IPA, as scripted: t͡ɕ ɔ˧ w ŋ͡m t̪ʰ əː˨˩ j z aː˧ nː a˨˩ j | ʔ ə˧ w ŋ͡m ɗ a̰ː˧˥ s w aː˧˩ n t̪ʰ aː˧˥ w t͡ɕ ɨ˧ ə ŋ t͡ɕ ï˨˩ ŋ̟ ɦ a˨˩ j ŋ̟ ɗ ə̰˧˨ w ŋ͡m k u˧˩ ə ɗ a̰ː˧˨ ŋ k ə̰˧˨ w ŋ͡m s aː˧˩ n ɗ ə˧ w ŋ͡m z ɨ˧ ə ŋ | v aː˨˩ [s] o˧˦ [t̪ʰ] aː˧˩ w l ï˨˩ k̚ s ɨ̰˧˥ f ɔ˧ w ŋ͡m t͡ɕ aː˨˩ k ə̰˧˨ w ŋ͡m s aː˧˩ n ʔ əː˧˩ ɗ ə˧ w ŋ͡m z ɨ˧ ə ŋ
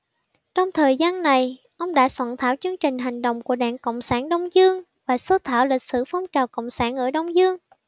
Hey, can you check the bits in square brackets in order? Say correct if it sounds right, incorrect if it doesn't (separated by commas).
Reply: correct, correct